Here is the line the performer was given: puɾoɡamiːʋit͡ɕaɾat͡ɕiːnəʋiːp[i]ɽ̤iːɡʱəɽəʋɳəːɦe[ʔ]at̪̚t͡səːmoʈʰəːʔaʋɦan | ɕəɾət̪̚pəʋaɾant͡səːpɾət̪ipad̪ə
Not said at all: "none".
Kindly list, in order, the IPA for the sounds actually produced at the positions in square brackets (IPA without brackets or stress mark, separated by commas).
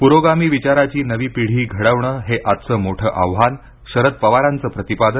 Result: i, ʔ